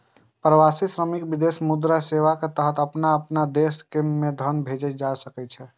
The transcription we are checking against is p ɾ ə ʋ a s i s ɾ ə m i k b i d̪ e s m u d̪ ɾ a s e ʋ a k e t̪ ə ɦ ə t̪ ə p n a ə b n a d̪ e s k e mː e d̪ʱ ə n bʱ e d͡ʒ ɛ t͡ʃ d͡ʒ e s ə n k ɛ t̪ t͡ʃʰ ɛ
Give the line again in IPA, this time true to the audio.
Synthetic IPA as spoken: p ɾ ə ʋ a s i s ɾ ə m i k b i d̪ e s m u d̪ ɾ a s e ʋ a k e t̪ ə ɦ ə t̪ ə p n a ə p n a d̪ e s k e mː e d̪ʱ ə n bʱ e d͡ʒ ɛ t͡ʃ d͡ʒ a s ə k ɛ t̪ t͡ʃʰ ɛ